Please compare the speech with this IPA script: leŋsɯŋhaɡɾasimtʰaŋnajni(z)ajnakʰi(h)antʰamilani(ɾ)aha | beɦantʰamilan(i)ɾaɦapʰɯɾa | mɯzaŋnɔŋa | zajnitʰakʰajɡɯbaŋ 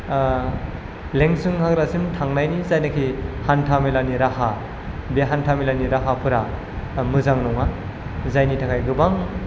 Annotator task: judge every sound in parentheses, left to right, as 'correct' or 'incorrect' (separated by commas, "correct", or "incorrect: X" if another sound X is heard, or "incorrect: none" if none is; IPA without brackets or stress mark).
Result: correct, correct, correct, correct